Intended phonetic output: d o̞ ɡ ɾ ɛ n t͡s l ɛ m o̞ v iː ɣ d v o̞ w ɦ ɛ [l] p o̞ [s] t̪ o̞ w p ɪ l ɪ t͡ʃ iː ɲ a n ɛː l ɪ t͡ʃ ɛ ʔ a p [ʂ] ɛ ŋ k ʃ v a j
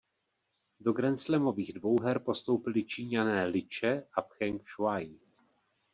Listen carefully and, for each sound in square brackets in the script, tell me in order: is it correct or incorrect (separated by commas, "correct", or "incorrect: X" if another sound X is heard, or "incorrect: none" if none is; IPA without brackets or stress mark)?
incorrect: ɾ, correct, incorrect: x